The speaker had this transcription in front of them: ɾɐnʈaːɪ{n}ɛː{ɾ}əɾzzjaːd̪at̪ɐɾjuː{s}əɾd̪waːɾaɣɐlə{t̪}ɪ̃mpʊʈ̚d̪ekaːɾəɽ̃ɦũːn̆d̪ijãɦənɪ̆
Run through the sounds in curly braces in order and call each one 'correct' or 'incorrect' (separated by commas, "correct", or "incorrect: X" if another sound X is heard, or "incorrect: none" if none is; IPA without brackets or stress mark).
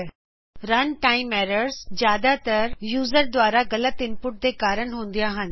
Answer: incorrect: m, correct, incorrect: z, correct